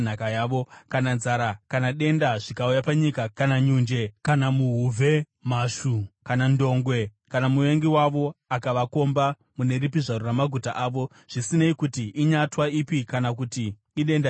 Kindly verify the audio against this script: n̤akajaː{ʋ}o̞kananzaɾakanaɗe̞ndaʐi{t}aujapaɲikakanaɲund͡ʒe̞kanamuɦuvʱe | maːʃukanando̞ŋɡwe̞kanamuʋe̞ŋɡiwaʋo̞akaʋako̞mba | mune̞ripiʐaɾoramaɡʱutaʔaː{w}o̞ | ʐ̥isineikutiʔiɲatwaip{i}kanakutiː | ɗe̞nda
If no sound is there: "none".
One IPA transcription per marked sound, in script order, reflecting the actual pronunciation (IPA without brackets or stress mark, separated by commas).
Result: ʋ, k, ʋ, i